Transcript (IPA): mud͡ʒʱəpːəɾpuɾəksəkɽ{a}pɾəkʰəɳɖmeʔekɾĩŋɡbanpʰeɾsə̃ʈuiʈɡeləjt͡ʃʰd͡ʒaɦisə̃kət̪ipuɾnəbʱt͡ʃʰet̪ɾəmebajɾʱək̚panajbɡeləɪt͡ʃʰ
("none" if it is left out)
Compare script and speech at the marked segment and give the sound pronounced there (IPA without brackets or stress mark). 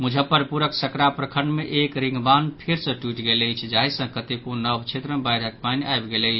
a